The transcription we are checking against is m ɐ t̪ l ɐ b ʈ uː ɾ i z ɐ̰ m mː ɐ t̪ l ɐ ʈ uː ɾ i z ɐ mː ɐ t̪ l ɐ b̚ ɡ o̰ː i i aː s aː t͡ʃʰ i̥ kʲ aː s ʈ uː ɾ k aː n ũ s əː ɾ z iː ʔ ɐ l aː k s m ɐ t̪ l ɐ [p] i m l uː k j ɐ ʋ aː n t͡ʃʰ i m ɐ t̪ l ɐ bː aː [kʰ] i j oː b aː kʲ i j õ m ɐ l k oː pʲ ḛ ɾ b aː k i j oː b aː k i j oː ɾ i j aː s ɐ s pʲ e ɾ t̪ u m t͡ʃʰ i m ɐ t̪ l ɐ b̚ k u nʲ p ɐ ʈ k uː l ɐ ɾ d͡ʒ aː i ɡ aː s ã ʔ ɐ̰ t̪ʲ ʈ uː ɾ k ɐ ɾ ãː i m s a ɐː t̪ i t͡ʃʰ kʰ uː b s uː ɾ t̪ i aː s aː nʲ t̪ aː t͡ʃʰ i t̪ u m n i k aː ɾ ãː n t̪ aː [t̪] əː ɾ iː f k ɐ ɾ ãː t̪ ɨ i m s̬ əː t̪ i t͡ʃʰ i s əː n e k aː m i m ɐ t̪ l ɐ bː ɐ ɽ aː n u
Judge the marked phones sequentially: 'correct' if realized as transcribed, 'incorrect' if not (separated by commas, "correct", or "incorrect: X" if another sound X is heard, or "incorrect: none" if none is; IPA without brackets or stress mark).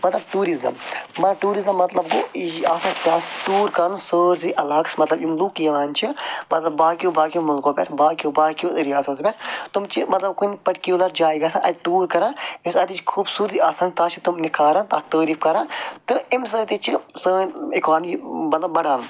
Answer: incorrect: b, incorrect: k, correct